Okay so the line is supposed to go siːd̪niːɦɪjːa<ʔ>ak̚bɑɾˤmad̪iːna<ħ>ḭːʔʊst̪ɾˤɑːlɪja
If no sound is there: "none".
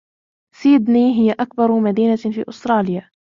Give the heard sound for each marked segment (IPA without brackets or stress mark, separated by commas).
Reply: ʔ, f